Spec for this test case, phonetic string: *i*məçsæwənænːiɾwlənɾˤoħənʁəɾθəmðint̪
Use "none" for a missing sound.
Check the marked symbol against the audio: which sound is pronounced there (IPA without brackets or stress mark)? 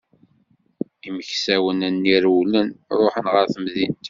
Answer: i